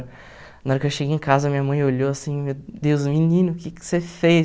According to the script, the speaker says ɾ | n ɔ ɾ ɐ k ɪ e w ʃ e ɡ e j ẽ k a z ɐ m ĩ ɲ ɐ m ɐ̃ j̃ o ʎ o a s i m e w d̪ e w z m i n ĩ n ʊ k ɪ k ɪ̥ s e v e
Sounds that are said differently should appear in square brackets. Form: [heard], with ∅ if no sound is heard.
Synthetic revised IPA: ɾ | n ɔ ɾ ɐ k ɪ e w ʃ e ɡ e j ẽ k a z ɐ m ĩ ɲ ɐ m ɐ̃ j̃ o ʎ o a s [ĩ] m e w d̪ e w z m i n ĩ n ʊ k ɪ k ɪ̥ s e [f] e